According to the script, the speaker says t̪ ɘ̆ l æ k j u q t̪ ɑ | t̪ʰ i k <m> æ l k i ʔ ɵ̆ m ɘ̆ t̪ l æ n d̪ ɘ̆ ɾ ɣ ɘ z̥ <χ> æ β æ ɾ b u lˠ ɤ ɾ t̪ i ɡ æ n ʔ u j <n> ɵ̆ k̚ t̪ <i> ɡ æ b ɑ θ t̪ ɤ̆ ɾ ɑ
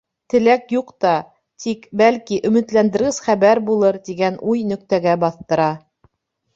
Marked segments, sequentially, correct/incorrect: incorrect: b, correct, correct, incorrect: æ

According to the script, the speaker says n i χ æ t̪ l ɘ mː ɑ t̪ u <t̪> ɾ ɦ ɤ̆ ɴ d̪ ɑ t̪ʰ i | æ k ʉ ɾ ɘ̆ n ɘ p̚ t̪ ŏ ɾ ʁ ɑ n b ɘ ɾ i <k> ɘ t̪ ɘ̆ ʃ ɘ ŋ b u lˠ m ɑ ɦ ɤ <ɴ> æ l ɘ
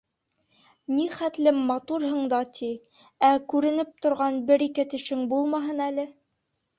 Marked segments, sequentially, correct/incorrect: incorrect: none, correct, incorrect: n

